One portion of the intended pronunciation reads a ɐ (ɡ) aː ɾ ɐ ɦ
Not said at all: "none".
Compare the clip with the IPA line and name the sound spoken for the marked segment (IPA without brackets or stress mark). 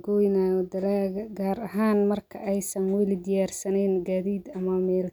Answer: ɡ